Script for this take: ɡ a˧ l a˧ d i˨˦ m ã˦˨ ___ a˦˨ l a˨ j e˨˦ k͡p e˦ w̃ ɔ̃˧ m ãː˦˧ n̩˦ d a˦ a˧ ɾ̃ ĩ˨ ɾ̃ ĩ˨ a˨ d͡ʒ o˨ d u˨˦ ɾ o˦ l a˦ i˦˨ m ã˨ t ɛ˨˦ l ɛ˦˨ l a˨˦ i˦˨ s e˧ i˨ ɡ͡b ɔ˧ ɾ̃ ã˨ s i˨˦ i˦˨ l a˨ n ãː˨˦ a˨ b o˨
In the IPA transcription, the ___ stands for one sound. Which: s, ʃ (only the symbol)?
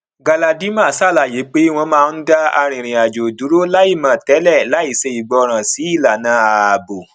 s